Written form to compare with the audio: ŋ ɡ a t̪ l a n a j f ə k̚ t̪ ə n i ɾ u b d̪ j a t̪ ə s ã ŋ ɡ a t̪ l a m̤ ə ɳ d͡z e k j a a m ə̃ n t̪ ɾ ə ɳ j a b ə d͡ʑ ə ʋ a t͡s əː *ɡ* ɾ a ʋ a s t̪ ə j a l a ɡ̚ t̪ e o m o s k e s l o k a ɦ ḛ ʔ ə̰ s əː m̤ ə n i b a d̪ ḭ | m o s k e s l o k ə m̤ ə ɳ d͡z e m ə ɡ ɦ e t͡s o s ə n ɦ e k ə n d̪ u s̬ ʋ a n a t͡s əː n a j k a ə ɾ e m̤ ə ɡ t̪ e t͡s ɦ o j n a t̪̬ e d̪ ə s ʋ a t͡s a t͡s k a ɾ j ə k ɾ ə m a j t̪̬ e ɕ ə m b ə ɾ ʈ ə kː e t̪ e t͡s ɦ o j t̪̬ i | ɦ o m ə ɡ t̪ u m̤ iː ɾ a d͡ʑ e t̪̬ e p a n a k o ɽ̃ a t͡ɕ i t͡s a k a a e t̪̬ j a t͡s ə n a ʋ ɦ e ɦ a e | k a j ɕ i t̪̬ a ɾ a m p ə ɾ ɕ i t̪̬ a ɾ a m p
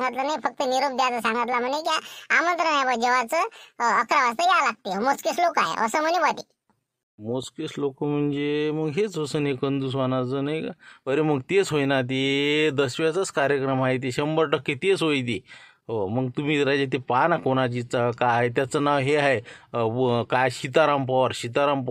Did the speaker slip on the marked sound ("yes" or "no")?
yes